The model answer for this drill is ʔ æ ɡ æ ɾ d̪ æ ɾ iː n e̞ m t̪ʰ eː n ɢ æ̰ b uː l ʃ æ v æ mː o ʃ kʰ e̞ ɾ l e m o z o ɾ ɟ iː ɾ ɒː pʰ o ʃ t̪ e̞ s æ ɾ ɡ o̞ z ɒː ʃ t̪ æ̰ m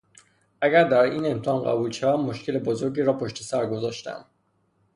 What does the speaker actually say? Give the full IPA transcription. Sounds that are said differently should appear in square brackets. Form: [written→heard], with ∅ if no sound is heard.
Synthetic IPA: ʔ æ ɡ æ ɾ d̪ æ ɾ iː n e̞ m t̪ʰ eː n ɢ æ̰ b uː l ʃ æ v æ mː o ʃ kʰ e̞ [ɾ→∅] l e [m→b] o z o ɾ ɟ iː ɾ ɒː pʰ o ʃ t̪ e̞ s æ ɾ ɡ o̞ z ɒː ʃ t̪ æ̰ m